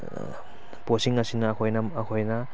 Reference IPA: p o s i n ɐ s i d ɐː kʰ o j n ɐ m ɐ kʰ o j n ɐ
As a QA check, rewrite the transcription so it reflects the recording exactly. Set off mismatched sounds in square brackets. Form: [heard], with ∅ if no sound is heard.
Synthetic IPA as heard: p o s i [ŋ] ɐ s i [n] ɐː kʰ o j n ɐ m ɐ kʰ o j n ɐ